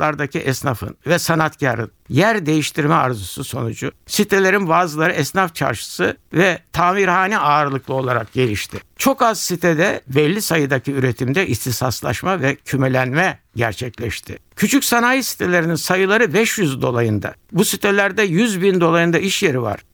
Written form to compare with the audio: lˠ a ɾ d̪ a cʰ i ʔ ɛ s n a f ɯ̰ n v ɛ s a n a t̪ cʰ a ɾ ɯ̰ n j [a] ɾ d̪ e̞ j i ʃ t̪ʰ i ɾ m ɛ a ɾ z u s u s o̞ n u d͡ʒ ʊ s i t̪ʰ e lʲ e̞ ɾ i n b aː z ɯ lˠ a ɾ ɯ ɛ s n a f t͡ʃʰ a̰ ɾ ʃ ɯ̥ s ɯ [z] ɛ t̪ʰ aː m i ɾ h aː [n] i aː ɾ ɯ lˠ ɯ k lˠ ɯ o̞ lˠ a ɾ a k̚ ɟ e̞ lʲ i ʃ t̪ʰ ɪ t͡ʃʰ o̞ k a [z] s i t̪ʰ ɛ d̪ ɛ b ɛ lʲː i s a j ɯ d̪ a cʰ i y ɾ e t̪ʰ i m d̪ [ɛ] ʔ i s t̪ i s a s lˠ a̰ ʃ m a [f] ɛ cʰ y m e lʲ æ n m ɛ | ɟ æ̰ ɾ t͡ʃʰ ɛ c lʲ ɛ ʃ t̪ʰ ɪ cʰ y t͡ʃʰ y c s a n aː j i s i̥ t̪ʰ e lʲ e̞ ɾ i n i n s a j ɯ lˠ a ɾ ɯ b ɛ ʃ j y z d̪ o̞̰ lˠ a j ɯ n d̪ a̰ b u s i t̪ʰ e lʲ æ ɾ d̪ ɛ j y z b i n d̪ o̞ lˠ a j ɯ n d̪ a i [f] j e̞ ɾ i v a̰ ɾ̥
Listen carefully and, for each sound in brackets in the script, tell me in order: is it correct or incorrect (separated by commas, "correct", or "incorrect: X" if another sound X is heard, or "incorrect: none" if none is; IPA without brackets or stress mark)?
incorrect: æ, incorrect: v, correct, correct, correct, incorrect: v, incorrect: ʃ